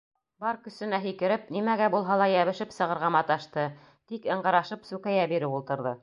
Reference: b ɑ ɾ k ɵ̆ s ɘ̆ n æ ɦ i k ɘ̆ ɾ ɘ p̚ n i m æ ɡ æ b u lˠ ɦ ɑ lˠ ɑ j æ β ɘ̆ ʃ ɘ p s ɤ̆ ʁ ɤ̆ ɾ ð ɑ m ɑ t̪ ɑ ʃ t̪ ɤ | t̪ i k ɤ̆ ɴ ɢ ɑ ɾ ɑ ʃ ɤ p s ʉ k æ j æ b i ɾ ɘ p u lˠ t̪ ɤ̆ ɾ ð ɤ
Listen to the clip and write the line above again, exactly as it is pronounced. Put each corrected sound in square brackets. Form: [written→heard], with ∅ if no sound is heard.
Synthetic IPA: b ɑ ɾ k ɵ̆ s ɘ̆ n æ ɦ i k ɘ̆ ɾ ɘ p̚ n i m æ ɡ æ b u lˠ ɦ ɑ lˠ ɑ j æ β ɘ̆ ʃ ɘ p s ɤ̆ ʁ ɤ̆ ɾ [ð→ʁ] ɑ m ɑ t̪ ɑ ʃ t̪ ɤ | t̪ i k ɤ̆ ɴ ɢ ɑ ɾ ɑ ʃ ɤ p s ʉ k æ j æ b i ɾ ɘ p u lˠ t̪ ɤ̆ ɾ ð ɤ